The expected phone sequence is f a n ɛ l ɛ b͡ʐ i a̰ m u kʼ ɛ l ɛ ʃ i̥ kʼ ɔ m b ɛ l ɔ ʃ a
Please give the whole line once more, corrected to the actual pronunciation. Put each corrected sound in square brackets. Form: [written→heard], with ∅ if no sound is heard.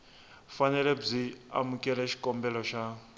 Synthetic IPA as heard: f a n ɛ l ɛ b͡ʐ i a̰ m u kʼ ɛ l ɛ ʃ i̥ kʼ ɔ m b ɛ l ɔ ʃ a